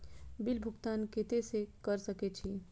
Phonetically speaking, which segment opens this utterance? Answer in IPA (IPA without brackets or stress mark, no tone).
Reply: b